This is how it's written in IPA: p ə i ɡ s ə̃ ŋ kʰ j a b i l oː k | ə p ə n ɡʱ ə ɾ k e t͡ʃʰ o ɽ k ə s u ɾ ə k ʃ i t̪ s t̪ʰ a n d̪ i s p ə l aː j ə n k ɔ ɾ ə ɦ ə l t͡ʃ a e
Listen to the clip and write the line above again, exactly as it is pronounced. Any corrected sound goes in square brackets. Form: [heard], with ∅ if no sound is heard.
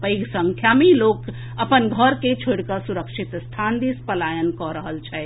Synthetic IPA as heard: p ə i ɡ s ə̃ ŋ kʰ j a [m] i l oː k | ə p ə n ɡʱ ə ɾ k e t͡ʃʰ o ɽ k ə s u ɾ ə k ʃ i t̪ s t̪ʰ a n d̪ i s p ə l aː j ə n k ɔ ɾ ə ɦ ə l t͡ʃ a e